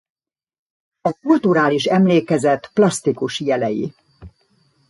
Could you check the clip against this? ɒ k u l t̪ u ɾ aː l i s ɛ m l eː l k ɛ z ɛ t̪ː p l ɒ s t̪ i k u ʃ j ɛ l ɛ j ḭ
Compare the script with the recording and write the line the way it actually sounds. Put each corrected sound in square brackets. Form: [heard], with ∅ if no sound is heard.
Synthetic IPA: ɒ k u l t̪ u ɾ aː l i [ʃ] ɛ m l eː [∅] k ɛ z ɛ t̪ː p l ɒ s t̪ i k u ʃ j ɛ l ɛ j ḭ